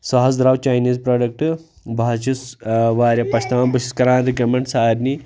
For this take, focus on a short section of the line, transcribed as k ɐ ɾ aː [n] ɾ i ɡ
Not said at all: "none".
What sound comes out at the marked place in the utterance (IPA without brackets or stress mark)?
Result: n